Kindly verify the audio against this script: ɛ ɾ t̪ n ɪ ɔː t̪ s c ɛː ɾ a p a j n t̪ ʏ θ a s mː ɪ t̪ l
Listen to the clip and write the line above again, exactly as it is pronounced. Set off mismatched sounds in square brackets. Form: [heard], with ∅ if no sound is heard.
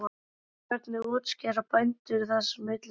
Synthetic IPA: ɛ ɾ t̪ n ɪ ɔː t̪ s c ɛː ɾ a p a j n t̪ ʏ θ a s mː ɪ t̪ l